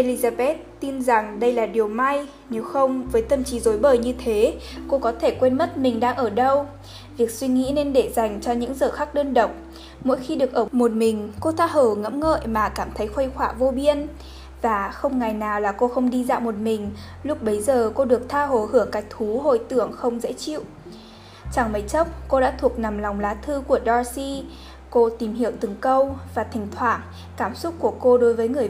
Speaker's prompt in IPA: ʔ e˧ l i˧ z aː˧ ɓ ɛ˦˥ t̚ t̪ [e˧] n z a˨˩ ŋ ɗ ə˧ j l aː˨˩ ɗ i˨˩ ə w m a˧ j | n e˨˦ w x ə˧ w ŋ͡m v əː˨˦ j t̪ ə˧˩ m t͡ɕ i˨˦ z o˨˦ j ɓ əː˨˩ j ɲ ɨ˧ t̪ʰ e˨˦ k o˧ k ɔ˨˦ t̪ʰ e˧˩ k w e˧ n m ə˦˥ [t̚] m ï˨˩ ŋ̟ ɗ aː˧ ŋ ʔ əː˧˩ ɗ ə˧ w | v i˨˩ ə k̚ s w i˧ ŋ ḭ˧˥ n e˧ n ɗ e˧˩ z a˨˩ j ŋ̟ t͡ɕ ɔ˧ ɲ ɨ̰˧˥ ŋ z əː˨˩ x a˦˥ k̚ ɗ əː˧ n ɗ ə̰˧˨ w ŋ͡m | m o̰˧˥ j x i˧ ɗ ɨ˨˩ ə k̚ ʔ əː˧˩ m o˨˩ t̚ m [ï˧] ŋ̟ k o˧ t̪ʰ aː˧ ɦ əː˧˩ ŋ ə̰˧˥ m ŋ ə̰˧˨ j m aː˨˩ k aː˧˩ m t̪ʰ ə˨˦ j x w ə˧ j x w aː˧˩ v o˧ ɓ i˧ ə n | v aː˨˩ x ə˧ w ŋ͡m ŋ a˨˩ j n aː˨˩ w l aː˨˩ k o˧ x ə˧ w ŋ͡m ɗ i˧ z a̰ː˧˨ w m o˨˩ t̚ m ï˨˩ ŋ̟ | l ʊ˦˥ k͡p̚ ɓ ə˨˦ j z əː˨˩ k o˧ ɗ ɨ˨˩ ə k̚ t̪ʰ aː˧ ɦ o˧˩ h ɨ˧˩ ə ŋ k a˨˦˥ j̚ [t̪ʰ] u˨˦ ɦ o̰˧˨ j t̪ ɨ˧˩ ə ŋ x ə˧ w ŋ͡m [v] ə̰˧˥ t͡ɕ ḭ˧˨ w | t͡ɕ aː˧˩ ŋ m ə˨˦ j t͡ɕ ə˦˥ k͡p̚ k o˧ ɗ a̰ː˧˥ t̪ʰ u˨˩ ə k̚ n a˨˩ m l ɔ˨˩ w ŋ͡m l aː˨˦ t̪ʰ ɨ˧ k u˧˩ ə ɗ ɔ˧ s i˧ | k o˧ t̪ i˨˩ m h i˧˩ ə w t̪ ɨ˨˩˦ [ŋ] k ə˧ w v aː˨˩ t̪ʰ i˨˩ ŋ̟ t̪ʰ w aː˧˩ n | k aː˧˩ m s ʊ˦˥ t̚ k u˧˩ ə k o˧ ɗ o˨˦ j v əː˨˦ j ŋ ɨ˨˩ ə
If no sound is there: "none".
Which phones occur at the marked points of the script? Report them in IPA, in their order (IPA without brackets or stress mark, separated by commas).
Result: i˧, t̚, ï˨˩, t̪ʰ, z, ŋ